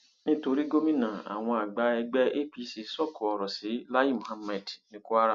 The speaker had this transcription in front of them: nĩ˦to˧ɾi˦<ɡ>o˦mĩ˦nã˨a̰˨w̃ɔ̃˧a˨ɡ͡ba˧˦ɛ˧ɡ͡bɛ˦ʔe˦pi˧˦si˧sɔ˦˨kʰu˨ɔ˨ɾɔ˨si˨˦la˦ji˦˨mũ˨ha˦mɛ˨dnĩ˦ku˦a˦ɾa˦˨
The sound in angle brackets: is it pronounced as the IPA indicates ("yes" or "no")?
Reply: yes